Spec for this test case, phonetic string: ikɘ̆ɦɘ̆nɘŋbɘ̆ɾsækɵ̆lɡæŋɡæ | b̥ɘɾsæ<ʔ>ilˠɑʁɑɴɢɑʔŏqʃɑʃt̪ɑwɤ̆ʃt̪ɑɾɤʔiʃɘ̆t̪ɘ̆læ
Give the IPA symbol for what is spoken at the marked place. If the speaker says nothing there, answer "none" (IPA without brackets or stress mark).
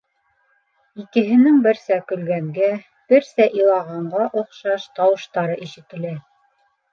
ʔ